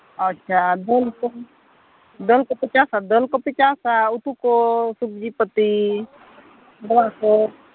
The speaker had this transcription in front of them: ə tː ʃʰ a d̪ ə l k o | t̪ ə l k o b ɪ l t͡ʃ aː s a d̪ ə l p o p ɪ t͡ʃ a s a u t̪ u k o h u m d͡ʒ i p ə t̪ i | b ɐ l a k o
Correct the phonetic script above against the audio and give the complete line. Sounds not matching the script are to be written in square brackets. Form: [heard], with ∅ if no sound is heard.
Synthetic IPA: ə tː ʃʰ a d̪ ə l k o | [d̪] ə l k o [p] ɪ [∅] t͡ʃ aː s a d̪ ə l [k] o p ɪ t͡ʃ a s a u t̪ u k o [s] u [b] d͡ʒ i p ə t̪ i | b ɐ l a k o